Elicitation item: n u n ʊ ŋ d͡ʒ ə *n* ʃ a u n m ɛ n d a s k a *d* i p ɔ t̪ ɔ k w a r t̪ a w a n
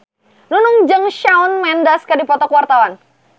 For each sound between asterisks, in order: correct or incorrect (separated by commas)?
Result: incorrect, correct